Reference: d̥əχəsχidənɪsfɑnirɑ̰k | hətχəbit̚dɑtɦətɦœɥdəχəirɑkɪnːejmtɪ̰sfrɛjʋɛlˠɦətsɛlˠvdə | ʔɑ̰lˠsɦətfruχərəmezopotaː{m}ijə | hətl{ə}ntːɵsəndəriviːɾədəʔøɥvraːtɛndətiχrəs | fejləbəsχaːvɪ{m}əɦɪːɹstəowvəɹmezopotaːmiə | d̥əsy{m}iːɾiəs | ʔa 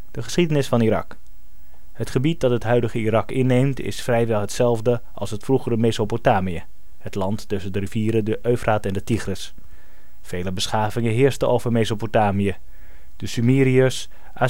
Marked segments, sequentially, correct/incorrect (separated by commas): correct, incorrect, incorrect, correct